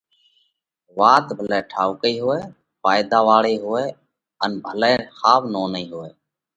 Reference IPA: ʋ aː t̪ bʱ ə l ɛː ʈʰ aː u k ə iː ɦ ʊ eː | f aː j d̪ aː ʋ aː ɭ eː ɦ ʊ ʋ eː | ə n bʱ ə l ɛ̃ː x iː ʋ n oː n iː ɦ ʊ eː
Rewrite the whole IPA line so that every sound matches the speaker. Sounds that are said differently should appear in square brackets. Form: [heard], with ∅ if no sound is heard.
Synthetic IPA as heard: ʋ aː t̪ bʱ ə l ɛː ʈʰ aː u k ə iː ɦ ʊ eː | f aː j d̪ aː ʋ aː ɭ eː ɦ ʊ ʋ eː | ə n bʱ ə l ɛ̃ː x [aː] ʋ n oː n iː ɦ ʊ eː